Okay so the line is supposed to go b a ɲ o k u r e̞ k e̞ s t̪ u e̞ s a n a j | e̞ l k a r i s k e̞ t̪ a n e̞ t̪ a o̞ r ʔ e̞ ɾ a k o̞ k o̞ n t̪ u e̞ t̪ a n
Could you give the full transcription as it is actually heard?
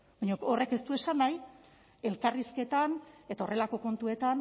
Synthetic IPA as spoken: b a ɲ o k o r e̞ k e̞ s t̪ u e̞ s a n a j | e̞ l k a r i s k e̞ t̪ a n e̞ t̪ a o̞ r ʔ e̞ l a k o̞ k o̞ n t̪ u e̞ t̪ a n